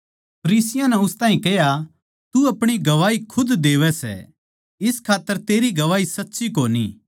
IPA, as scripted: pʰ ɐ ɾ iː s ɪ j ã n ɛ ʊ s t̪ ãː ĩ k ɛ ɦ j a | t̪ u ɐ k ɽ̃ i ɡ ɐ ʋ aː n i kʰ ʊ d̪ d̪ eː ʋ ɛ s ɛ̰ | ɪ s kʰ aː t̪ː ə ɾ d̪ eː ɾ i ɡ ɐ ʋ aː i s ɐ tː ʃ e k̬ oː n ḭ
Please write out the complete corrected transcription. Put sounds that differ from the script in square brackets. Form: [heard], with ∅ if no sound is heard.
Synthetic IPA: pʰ ɐ ɾ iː s ɪ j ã n ɛ ʊ s t̪ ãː ĩ k ɛ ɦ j a | t̪ u ɐ [p] ɽ̃ i ɡ ɐ ʋ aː [∅] i kʰ ʊ d̪ d̪ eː ʋ ɛ s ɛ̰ | ɪ s kʰ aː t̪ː ə ɾ [t̪] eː ɾ i ɡ ɐ ʋ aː i s ɐ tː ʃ [i] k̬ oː n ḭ